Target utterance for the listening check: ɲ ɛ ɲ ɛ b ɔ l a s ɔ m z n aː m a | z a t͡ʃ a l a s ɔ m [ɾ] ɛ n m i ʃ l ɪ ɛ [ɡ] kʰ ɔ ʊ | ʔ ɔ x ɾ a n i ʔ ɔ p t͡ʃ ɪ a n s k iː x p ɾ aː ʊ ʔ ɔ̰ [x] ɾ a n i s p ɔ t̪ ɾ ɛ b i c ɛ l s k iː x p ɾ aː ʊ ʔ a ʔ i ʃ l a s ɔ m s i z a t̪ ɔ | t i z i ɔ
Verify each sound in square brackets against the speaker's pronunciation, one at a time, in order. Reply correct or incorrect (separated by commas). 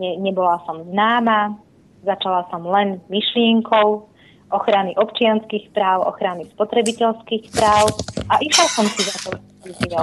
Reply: incorrect, incorrect, correct